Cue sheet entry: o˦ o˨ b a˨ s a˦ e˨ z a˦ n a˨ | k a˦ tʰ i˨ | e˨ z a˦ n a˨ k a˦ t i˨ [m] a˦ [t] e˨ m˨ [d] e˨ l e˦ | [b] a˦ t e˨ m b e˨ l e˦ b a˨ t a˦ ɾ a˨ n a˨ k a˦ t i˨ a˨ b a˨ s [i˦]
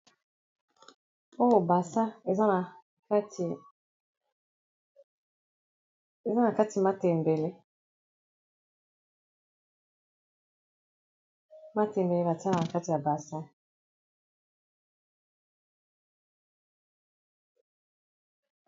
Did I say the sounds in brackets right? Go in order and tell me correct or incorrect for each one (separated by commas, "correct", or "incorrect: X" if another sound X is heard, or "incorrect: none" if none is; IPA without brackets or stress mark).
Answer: correct, correct, incorrect: b, incorrect: m, incorrect: a˦